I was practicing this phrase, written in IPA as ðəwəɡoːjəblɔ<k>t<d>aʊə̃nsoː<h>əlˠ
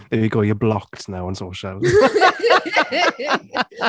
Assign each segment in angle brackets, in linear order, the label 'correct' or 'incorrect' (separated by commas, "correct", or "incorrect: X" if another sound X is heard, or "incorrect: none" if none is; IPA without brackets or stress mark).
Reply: correct, incorrect: n, incorrect: ʃ